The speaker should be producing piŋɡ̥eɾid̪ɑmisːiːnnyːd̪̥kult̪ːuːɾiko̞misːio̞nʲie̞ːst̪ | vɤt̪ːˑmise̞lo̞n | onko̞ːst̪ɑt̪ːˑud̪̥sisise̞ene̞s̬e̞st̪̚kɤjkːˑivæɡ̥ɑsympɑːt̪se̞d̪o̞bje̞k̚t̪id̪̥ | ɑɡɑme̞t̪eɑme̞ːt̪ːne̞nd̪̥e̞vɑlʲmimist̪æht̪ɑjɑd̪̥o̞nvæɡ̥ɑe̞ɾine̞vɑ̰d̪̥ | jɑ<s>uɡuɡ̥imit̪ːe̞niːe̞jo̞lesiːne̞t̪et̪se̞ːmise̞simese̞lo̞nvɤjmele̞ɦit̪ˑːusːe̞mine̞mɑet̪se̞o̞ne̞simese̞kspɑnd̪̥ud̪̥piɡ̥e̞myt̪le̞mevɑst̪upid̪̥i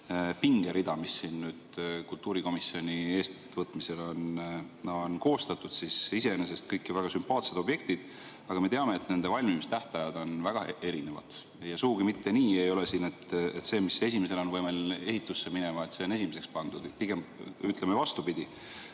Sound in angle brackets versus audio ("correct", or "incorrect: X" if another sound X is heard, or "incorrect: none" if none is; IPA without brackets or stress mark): correct